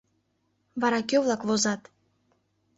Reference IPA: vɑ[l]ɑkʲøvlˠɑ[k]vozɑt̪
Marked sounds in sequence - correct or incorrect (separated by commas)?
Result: incorrect, correct